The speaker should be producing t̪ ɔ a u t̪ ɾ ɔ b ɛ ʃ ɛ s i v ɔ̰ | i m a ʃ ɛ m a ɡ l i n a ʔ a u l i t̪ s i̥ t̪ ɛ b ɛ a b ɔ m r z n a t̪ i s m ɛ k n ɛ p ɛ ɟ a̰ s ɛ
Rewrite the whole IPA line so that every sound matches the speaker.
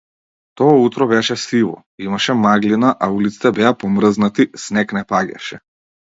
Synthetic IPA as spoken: t̪ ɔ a u t̪ ɾ ɔ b ɛ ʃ ɛ s i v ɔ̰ | i m a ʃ ɛ m a ɡ l i n a ʔ a u l i t̪ s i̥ t̪ ɛ b ɛ a p ɔ m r z n a t̪ i s n ɛ k n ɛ p a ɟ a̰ ʃ ɛ